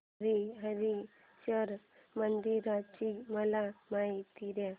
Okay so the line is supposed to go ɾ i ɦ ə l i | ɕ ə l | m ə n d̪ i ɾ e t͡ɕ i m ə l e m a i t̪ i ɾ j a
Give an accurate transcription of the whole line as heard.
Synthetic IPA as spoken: ɾ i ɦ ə ɾ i | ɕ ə ɾ | m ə n d̪ i ɾ a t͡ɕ i m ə l a m a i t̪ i ɾ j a